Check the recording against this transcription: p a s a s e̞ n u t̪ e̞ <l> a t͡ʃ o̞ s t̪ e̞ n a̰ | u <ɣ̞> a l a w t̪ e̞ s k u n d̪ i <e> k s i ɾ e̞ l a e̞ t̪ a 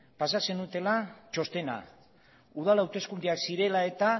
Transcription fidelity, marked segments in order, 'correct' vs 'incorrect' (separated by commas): correct, incorrect, incorrect